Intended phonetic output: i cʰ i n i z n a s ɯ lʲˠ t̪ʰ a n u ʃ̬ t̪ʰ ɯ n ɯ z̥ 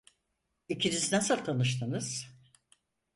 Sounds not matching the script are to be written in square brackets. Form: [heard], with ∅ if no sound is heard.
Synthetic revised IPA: i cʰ i n i z n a s ɯ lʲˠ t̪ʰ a n [ɯ] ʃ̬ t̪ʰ ɯ n ɯ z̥